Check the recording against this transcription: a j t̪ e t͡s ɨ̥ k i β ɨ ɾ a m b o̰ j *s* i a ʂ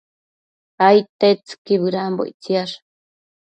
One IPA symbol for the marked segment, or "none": t͡s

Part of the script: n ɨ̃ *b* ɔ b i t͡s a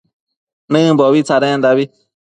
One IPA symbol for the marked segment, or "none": b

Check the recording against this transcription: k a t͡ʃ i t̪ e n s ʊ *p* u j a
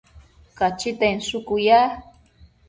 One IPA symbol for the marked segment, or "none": k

